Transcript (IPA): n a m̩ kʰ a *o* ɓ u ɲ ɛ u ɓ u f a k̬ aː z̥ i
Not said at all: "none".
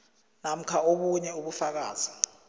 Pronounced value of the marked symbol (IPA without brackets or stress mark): o